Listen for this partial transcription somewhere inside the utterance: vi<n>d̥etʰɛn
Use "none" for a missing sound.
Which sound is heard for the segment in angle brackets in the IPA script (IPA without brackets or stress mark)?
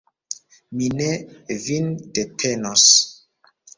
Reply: n